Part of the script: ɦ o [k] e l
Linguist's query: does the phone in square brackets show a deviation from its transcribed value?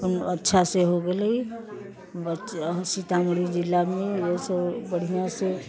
yes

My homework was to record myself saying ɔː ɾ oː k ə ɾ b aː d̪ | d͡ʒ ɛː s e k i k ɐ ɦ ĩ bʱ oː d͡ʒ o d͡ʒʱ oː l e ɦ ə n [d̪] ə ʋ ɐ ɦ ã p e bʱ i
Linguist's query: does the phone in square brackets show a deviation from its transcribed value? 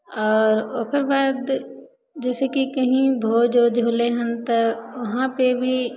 yes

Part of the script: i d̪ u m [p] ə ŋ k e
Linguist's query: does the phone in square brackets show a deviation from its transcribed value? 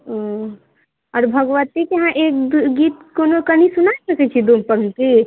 no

